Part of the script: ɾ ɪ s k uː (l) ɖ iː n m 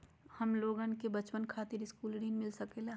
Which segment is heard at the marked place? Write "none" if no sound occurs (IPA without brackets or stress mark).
l